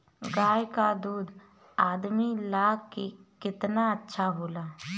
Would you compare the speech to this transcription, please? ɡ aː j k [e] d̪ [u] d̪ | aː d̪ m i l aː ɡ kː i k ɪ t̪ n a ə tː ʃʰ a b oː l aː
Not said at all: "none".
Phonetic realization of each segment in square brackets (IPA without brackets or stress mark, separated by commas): a, uː